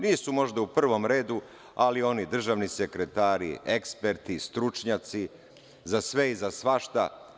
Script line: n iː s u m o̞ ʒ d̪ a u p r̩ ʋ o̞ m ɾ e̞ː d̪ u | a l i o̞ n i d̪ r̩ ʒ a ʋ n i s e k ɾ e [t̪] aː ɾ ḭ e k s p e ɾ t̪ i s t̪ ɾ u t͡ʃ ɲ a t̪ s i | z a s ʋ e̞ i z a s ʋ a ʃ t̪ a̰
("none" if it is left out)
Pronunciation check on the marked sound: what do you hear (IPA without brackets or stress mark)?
t̪